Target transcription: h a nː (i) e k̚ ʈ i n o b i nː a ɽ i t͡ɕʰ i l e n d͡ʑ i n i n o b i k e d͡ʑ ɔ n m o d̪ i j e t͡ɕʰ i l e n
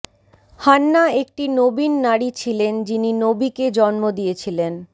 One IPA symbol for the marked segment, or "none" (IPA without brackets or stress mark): a